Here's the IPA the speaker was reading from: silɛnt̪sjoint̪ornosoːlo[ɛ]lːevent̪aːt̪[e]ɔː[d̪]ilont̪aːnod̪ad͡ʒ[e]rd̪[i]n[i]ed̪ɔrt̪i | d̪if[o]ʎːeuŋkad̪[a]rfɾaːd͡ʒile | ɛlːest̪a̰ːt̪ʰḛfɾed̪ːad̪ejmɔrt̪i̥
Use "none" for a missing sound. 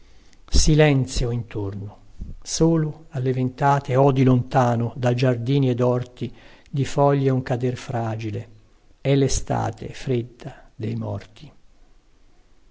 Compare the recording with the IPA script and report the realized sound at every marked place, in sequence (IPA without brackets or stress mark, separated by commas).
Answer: a, e, d̪, a, iː, i, ɔ, e